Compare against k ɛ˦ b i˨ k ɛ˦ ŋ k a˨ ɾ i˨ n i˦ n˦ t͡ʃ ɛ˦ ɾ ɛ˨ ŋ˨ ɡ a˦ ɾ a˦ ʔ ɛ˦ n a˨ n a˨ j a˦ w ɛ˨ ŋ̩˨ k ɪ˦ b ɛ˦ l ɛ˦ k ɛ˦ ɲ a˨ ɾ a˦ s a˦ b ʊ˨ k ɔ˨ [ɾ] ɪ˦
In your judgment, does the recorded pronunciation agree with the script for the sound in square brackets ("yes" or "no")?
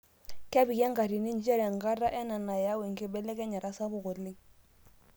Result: no